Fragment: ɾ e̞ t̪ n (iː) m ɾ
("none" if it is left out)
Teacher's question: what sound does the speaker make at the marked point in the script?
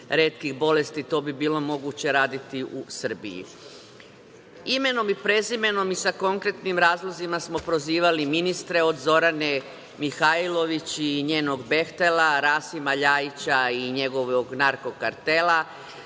i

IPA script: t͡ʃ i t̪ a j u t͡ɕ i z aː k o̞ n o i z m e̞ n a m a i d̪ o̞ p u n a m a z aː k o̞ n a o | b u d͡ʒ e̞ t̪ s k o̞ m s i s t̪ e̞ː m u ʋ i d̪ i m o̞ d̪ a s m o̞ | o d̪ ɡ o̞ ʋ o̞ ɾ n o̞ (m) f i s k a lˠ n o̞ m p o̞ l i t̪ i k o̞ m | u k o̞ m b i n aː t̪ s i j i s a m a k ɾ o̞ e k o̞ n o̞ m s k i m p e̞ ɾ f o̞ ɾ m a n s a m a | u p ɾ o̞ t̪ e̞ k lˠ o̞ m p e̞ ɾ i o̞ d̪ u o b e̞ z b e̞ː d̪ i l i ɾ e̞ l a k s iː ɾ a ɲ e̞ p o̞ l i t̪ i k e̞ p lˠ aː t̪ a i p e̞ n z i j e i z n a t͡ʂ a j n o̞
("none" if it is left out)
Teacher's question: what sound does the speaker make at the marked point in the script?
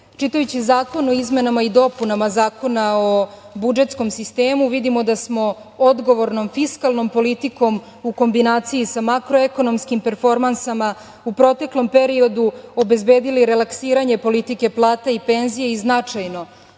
m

